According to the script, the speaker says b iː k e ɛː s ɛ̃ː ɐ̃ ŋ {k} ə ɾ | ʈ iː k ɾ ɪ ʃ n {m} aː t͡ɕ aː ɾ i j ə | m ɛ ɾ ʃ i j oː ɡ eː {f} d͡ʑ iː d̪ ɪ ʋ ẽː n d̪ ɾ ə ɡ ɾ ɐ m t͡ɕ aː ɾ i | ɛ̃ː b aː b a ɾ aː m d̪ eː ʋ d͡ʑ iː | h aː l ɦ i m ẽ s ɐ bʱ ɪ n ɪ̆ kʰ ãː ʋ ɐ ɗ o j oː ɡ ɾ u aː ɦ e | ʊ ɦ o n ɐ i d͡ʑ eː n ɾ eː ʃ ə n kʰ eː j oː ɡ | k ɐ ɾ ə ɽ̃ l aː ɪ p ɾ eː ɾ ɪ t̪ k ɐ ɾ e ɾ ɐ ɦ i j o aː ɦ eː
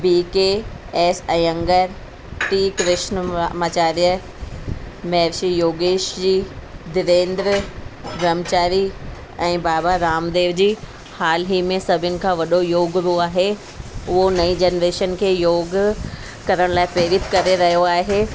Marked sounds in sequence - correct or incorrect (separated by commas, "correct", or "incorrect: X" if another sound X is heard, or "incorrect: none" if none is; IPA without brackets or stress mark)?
incorrect: ɡ, correct, incorrect: ʃ